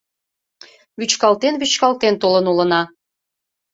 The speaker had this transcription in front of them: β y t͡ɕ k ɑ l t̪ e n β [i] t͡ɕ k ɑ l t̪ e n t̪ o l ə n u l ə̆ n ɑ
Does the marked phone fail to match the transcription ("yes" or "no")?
yes